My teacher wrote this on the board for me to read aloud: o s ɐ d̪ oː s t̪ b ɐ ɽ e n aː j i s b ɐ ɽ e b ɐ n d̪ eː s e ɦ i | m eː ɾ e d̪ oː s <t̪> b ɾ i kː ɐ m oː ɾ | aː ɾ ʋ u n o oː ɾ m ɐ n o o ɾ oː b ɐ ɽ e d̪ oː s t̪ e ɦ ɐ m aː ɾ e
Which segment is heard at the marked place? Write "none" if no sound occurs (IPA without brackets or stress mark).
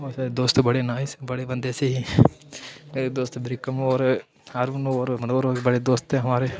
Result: t̪